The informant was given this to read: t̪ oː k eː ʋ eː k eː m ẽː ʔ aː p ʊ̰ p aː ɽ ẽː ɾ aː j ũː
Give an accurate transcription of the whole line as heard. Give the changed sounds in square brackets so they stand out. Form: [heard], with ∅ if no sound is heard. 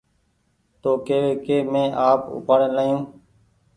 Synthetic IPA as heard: t̪ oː k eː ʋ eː k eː m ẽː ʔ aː p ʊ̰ p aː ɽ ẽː [l] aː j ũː

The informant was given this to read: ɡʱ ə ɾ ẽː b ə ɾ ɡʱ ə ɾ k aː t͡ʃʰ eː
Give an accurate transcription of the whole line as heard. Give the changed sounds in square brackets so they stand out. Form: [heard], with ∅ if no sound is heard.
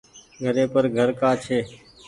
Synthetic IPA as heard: ɡʱ ə ɾ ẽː [p] ə ɾ ɡʱ ə ɾ k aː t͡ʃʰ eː

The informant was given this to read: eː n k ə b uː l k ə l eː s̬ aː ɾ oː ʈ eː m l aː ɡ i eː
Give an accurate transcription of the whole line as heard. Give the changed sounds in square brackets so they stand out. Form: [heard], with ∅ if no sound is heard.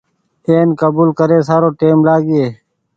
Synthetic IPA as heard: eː n k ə b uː l k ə [ɾ] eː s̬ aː ɾ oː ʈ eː m l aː ɡ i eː

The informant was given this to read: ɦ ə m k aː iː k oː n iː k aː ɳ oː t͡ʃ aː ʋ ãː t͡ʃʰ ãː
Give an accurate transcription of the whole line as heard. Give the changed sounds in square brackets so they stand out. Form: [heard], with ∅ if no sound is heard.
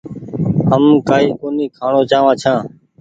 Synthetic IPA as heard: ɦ ə m k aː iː k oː n iː [kʰ] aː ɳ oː t͡ʃ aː ʋ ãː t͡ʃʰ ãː

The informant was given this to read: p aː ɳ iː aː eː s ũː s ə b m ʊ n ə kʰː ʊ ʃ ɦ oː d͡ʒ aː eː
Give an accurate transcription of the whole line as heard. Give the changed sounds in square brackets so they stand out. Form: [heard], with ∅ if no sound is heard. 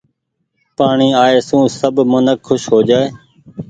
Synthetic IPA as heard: p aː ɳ iː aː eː s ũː s ə b m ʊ n ə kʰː ʊ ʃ ɦ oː d͡ʒ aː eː

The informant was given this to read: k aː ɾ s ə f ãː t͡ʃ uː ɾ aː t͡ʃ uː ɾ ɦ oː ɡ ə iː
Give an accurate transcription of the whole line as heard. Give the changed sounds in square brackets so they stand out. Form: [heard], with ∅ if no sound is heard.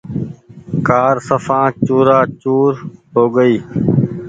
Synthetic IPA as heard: k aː ɾ s ə f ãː t͡ʃ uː ɾ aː t͡ʃ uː ɾ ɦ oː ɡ ə iː

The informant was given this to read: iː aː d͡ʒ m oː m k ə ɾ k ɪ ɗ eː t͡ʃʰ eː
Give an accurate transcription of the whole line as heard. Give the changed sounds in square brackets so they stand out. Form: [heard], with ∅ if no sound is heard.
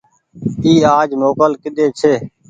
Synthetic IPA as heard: iː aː d͡ʒ m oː [∅] k ə [l] k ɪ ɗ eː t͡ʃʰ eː

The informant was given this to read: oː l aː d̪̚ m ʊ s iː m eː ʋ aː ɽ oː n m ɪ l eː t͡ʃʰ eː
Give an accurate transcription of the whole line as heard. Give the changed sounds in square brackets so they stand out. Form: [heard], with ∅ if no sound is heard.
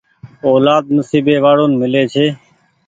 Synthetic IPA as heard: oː l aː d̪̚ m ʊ s iː [b] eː ʋ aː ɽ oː n m ɪ l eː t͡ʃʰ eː

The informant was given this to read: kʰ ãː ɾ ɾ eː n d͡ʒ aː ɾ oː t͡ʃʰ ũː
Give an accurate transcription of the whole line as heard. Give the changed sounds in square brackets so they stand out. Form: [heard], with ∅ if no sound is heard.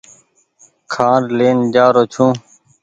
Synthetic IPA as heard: kʰ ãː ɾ [l] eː n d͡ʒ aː ɾ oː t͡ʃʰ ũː

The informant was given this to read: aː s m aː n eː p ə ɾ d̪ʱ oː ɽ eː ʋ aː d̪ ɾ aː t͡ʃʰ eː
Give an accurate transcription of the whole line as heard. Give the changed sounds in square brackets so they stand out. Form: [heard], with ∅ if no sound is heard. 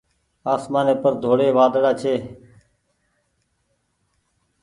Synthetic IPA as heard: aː s m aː n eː p ə ɾ d̪ʱ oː ɽ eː ʋ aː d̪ [ɽ] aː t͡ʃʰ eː

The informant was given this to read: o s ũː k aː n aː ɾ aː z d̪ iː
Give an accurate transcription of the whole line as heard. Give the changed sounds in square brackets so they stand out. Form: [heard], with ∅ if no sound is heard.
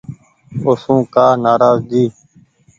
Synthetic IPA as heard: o s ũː k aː n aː ɾ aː z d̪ iː

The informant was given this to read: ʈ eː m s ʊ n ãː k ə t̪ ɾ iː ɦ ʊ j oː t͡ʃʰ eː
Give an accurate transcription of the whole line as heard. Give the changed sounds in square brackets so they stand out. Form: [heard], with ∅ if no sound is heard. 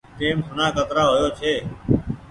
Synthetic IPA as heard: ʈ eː m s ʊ n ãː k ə t̪ ɾ [aː] ɦ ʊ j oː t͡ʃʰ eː

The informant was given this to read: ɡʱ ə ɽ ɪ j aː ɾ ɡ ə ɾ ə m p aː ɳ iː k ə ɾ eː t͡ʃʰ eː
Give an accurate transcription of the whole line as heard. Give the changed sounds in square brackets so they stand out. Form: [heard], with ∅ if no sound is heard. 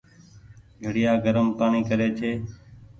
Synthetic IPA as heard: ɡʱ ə ɽ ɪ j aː [∅] ɡ ə ɾ ə m p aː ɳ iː k ə ɾ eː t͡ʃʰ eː

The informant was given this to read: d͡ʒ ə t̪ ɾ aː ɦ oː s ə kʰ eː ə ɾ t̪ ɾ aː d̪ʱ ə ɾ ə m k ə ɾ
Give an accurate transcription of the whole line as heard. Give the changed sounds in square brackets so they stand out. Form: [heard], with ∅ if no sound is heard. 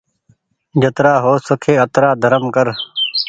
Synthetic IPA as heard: d͡ʒ ə t̪ ɾ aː ɦ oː s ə kʰ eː ə [∅] t̪ ɾ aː d̪ʱ ə ɾ ə m k ə ɾ

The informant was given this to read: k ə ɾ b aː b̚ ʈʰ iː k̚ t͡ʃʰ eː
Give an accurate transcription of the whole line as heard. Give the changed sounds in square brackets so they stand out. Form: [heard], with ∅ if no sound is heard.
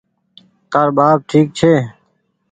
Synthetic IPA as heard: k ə ɾ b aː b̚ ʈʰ iː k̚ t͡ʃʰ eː

